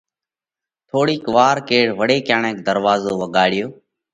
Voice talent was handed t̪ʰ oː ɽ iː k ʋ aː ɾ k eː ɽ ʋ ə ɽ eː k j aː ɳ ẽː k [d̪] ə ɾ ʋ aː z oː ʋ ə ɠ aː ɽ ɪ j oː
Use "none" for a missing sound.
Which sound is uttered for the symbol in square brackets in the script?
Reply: d̪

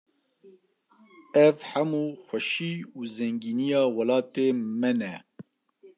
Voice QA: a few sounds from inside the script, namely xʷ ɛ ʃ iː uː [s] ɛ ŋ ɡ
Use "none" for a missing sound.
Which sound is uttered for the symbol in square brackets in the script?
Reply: z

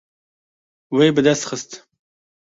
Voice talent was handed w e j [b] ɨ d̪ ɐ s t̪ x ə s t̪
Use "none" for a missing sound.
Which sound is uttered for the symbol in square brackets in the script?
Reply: b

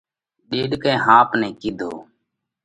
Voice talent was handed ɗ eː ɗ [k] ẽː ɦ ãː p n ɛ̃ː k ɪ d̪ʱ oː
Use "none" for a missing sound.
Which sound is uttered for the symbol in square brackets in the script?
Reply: k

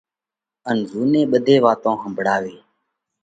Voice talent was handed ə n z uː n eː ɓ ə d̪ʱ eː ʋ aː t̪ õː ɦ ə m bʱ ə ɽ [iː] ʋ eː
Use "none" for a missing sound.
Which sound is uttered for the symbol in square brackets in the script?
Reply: aː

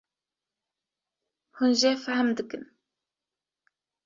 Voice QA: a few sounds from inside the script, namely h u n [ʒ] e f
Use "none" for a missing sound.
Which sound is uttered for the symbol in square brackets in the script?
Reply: ʒ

